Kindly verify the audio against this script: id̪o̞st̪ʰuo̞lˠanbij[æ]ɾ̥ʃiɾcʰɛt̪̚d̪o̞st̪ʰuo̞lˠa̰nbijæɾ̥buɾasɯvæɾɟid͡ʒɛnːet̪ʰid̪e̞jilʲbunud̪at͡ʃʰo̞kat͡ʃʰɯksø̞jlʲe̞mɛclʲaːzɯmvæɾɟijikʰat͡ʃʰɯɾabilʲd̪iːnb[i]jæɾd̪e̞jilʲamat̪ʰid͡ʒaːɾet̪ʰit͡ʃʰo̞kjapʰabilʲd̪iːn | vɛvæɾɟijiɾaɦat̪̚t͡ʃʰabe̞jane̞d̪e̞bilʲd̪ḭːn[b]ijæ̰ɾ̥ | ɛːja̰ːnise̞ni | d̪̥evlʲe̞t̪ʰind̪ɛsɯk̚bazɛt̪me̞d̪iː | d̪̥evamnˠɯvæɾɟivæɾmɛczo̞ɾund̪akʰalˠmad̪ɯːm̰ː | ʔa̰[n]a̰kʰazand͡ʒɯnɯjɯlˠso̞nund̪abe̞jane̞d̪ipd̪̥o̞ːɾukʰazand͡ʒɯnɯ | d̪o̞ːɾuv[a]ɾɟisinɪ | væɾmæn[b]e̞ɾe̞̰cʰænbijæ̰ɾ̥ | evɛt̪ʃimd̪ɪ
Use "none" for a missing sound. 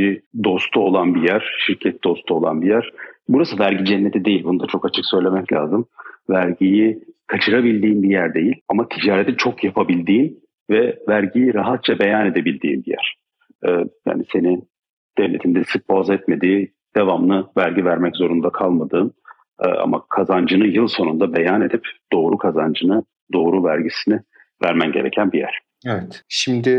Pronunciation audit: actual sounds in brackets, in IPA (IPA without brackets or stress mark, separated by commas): æ, i, b, m, æ, ɟ